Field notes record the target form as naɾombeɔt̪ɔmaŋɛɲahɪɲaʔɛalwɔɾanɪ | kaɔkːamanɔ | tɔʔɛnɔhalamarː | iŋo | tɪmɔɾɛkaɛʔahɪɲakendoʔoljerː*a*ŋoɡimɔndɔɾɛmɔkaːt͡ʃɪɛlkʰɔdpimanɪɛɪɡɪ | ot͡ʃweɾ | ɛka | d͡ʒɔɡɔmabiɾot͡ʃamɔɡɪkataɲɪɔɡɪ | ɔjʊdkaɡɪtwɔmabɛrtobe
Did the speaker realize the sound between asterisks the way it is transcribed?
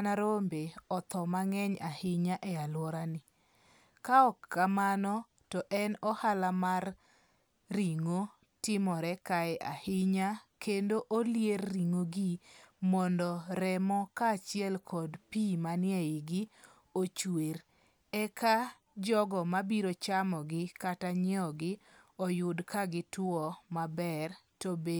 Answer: no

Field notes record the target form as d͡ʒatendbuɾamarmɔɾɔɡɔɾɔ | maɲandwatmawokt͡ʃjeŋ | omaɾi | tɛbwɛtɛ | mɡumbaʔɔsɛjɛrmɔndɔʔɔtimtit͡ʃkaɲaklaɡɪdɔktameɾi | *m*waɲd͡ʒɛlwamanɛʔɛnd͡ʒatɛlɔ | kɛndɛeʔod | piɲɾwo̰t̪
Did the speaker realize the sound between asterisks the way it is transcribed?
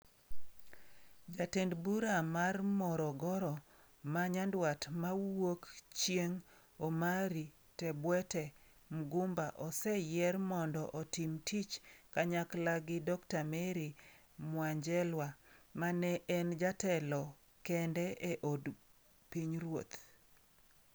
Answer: yes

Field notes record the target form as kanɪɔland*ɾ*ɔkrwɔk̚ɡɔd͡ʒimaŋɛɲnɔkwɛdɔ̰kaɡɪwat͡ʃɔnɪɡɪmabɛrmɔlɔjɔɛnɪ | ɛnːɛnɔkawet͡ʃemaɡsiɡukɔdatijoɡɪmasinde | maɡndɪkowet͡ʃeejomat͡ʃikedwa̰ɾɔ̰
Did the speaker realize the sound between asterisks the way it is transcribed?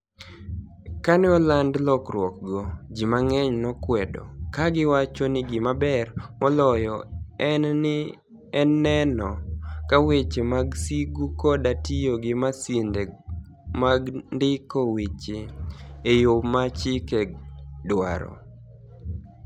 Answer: no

